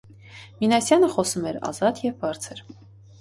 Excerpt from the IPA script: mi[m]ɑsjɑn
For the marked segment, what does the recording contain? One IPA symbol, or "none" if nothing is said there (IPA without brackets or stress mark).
n